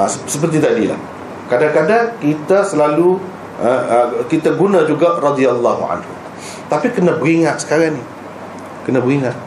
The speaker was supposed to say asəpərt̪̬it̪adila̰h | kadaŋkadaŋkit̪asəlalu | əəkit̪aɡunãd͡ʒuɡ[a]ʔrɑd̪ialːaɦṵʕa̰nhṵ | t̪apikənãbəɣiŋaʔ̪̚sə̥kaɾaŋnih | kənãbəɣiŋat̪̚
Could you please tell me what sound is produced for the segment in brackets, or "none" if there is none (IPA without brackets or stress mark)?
a